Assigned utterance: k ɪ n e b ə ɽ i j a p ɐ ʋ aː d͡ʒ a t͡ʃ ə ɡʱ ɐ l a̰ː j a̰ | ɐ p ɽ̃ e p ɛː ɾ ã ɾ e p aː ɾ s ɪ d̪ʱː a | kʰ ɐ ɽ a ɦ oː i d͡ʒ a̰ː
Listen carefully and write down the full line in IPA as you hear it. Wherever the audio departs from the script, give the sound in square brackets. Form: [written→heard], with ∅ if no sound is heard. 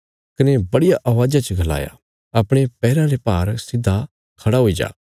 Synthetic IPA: k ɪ n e b [ə→ɐ] ɽ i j a [p→ʔ] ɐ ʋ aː d͡ʒ a t͡ʃ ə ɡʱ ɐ l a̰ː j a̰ | ɐ p ɽ̃ e p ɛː ɾ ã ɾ e p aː ɾ s ɪ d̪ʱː a | kʰ ɐ ɽ a ɦ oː i d͡ʒ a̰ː